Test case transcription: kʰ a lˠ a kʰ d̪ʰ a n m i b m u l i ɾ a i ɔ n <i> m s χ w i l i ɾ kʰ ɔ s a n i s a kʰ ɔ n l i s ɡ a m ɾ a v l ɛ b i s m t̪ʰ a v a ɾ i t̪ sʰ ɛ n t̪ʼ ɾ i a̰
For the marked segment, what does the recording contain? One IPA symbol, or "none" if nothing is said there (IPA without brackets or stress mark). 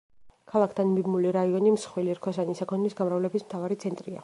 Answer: i